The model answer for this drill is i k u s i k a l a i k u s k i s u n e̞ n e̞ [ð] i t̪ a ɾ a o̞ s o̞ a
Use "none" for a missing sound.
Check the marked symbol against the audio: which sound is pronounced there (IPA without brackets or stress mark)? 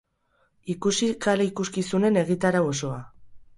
ɣ